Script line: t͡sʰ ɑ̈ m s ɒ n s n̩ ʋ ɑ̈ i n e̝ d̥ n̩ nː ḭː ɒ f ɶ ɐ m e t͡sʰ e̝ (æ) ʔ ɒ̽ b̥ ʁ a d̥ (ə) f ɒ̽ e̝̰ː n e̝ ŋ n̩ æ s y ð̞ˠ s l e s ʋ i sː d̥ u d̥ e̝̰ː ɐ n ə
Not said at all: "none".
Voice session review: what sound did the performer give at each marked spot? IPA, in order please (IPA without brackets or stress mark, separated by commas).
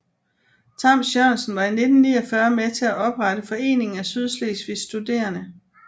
æ, ə